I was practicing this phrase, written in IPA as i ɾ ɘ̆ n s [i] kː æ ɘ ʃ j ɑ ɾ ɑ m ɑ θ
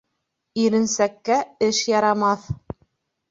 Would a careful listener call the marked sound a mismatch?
yes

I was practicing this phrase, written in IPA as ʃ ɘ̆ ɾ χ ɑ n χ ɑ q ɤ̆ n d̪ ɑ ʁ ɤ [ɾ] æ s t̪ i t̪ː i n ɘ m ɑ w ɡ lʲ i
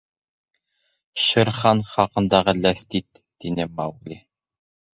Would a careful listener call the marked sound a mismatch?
yes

